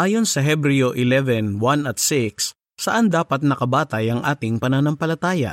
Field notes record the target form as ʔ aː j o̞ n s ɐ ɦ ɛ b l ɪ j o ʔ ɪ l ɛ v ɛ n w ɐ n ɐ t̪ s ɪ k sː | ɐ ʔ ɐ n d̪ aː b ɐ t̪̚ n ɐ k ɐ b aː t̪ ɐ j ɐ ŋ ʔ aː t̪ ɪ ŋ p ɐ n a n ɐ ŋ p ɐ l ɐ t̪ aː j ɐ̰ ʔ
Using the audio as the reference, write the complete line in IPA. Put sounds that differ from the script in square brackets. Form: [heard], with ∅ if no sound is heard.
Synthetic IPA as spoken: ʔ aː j o̞ n s ɐ ɦ ɛ b [ɾ] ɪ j o ʔ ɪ l ɛ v ɛ n w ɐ n ɐ t̪ s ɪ k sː | ɐ ʔ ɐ n d̪ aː [p] ɐ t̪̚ n ɐ k ɐ b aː t̪ ɐ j ɐ ŋ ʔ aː t̪ ɪ ŋ p ɐ n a n ɐ [m] p ɐ l ɐ t̪ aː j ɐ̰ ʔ